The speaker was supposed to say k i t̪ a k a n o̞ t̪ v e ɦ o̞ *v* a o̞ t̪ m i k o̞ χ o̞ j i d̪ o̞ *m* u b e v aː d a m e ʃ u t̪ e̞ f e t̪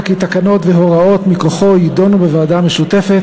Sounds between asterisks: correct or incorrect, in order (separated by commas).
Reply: incorrect, incorrect